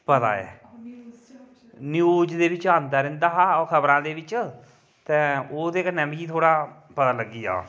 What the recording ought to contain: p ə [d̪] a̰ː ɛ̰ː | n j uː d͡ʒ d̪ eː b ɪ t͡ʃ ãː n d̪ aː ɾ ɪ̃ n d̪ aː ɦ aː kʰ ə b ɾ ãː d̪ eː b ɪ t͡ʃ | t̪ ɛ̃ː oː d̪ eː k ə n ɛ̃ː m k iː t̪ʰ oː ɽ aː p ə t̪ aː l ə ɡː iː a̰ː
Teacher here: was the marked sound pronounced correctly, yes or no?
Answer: no